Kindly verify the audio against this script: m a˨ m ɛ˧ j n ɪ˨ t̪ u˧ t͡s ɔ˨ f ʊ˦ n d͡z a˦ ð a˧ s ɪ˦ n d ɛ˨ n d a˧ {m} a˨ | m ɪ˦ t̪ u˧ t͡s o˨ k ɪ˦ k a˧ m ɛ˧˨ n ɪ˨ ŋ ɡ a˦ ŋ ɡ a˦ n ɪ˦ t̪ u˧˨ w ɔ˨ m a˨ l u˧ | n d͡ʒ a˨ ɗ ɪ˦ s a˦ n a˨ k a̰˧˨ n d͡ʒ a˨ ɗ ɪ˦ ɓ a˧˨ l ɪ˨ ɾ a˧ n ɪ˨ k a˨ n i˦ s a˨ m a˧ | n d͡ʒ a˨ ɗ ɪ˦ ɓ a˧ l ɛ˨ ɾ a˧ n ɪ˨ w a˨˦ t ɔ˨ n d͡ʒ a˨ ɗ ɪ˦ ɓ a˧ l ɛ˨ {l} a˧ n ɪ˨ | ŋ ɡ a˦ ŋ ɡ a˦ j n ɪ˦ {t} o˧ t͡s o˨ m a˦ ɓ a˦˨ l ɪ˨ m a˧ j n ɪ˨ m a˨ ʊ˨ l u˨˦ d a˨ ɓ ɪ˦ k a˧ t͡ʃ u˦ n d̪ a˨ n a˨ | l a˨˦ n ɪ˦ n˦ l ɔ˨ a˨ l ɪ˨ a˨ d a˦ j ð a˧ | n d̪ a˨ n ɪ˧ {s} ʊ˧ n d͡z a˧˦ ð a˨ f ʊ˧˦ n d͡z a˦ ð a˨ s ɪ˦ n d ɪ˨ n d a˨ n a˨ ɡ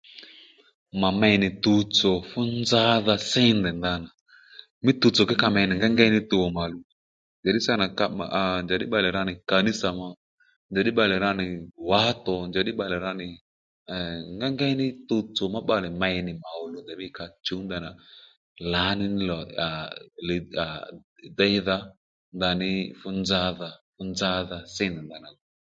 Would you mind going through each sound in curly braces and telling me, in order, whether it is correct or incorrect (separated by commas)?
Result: incorrect, incorrect, correct, incorrect